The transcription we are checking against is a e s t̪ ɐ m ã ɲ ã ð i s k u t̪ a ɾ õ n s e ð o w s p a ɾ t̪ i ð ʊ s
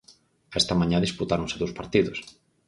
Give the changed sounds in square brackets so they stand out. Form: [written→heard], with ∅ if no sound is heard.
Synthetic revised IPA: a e s t̪ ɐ m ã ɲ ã ð i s [k→p] u t̪ a ɾ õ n s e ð o w s p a ɾ t̪ i ð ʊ s